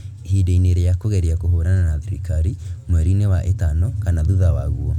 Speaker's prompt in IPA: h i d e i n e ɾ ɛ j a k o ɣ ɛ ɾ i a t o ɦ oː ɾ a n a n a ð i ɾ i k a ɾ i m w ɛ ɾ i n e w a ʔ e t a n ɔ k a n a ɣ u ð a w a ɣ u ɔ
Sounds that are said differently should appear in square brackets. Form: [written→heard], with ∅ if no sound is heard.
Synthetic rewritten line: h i d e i n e ɾ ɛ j a k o ɣ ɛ ɾ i a [t→k] o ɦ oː ɾ a n a n a ð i ɾ i k a ɾ i m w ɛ ɾ i n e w a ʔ e t a n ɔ k a n a [ɣ→ð] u ð a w a ɣ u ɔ